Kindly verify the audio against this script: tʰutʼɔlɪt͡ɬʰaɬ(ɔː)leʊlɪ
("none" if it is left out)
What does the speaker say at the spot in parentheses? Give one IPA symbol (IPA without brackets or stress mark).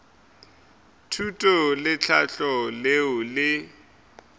ɔ